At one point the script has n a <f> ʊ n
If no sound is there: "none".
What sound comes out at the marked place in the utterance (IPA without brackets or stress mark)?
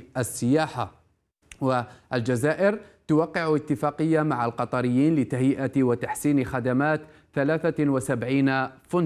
f